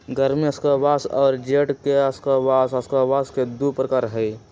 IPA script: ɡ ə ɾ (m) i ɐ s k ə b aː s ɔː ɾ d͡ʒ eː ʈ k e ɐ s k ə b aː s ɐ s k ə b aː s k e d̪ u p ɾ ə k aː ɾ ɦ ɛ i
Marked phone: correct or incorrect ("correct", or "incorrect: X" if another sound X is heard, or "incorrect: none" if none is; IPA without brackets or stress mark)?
correct